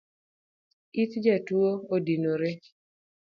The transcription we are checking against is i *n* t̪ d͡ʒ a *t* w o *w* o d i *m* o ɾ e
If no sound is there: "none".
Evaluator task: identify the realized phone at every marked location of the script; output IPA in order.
none, t, none, n

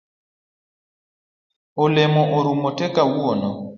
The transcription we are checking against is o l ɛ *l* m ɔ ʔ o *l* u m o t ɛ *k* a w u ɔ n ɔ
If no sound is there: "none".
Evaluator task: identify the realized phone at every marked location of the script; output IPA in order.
none, ɾ, k

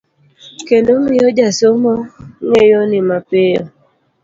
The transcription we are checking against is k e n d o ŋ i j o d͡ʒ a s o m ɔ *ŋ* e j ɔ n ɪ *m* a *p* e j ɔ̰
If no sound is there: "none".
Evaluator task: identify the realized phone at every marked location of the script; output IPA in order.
ŋ, m, p

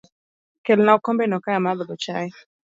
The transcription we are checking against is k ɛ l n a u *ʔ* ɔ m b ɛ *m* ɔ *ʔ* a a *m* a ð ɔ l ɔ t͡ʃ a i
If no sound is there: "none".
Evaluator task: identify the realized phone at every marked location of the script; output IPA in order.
k, n, k, m

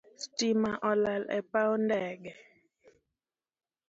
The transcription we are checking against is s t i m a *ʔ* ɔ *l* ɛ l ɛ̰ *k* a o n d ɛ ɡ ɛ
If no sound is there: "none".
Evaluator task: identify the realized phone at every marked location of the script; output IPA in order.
ʔ, l, p

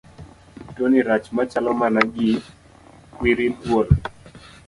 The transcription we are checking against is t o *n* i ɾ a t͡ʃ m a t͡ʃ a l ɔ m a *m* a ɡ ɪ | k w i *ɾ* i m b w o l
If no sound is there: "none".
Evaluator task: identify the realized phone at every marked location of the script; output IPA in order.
n, n, ɾ

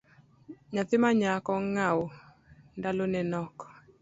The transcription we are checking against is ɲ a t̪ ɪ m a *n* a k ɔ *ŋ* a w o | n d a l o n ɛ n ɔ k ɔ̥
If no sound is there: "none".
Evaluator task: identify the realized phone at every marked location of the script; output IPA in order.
ɲ, ŋ

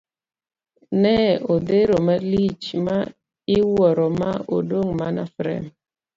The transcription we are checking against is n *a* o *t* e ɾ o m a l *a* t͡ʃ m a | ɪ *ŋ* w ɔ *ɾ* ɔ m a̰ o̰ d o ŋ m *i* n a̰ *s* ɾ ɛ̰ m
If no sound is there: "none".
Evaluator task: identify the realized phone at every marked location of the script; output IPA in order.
ɛ, d, i, none, ɾ, a, f

